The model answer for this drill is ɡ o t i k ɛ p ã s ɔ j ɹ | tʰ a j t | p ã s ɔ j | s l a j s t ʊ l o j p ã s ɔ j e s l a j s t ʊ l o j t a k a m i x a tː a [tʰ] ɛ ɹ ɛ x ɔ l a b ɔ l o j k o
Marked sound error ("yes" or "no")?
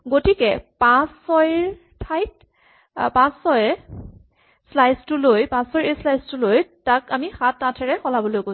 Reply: no